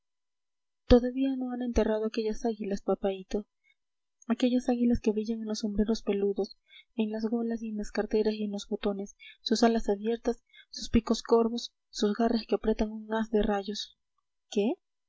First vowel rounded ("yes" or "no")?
yes